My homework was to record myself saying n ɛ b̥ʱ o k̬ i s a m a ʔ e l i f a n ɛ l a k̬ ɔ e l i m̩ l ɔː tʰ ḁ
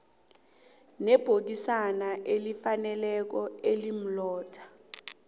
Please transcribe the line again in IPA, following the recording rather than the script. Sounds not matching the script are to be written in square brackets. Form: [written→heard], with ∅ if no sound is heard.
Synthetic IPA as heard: n ɛ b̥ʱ o k̬ i s a [m→n] a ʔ e l i f a n ɛ l [a→ɛ] k̬ ɔ e l i m̩ l ɔː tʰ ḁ